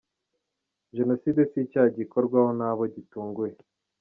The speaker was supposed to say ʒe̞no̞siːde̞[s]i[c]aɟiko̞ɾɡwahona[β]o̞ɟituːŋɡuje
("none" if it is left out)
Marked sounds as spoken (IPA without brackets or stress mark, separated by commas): s, c, β